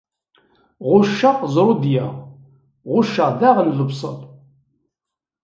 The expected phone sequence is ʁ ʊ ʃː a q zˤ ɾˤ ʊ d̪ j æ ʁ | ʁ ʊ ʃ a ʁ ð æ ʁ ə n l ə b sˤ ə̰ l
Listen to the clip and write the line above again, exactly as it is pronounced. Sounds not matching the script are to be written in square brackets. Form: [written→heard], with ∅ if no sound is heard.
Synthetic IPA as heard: ʁ ʊ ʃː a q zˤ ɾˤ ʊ d̪ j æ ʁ | ʁ ʊ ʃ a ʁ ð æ ʁ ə n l ə b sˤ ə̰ l